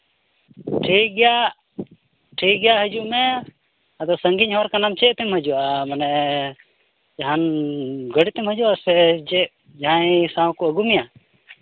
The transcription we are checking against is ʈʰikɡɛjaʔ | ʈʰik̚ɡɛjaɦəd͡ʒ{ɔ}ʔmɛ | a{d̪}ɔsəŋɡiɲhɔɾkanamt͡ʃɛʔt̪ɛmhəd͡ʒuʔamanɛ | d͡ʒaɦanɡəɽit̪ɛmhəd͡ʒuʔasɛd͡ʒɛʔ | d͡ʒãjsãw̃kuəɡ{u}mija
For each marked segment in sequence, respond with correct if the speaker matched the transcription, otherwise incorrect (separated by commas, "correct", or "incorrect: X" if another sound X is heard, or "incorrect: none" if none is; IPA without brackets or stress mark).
incorrect: u, correct, correct